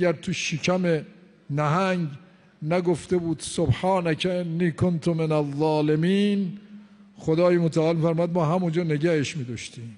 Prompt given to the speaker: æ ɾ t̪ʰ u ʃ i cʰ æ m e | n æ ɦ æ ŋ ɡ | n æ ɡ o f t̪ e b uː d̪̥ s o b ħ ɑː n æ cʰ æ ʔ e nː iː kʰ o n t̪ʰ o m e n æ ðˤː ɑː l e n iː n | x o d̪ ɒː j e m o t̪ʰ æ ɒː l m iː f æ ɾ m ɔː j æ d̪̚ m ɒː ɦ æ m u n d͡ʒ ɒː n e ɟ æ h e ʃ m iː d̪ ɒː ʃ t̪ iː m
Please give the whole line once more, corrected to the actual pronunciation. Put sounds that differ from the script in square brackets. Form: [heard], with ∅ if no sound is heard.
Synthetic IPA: æ ɾ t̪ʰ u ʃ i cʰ æ m e | n æ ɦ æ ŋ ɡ | n æ ɡ o f t̪ e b uː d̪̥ s o b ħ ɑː n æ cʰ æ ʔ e nː iː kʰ o n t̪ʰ o m e n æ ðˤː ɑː l e [m] iː n | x o d̪ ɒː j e m o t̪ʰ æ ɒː l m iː f æ ɾ m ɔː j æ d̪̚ m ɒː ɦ æ m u n d͡ʒ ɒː n e ɟ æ h e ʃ m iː d̪ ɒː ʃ t̪ iː m